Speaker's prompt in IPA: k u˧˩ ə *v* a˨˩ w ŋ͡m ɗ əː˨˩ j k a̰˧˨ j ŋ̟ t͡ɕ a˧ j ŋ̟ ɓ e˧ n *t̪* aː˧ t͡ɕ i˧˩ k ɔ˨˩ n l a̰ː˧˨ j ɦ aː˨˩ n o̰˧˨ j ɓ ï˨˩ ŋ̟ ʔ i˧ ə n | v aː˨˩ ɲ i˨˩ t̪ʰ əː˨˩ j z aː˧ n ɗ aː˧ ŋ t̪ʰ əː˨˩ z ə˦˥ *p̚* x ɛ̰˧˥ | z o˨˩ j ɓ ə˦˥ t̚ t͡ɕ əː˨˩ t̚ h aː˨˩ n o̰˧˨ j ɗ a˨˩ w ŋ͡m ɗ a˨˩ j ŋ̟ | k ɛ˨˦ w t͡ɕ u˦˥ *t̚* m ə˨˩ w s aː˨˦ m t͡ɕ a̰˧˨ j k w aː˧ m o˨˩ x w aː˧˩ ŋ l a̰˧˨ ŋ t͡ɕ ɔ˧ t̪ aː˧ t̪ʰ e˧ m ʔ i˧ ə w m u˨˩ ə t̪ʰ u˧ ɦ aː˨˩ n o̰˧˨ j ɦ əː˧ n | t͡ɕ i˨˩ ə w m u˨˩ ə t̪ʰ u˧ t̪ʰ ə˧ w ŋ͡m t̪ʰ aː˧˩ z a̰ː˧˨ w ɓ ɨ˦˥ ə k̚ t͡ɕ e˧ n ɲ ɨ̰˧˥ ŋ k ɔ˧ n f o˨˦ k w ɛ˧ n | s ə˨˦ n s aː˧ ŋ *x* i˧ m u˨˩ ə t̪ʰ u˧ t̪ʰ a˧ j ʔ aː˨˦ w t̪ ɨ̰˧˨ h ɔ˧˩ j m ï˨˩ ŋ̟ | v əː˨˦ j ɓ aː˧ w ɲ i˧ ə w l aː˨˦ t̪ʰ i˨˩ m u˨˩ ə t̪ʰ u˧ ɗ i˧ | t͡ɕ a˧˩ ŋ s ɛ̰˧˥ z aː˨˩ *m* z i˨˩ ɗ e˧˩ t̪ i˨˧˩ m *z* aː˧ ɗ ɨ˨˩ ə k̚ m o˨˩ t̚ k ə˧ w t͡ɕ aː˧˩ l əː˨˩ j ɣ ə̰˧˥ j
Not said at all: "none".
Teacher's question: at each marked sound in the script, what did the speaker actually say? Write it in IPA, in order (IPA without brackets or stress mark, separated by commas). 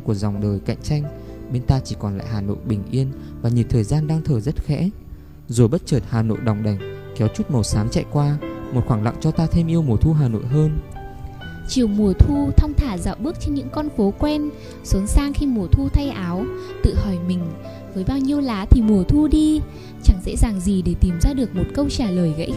z, t̪, t̚, t̚, x, ŋ, z